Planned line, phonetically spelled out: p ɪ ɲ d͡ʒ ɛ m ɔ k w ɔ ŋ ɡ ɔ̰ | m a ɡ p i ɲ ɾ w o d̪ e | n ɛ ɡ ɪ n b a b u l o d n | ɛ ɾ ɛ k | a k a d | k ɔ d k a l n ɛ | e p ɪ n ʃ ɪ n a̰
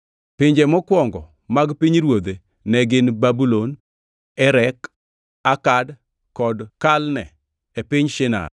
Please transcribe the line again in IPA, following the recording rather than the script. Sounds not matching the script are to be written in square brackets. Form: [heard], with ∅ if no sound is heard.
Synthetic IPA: p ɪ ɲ d͡ʒ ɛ m ɔ k w ɔ ŋ ɡ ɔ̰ | m a ɡ p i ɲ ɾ w o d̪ e | n ɛ ɡ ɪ n b a b u l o [∅] n | ɛ ɾ ɛ k | a k a d | k ɔ d k a l n ɛ | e p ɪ [ɲ] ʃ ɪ n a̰